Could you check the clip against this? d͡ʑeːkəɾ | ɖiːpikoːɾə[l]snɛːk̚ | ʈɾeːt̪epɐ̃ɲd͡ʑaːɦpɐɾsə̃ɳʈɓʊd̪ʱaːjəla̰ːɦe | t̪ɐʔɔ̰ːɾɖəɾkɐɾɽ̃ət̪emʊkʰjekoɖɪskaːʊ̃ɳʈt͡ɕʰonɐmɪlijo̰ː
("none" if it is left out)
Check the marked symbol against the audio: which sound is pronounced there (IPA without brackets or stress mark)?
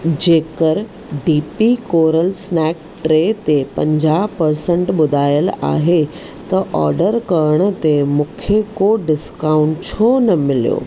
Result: l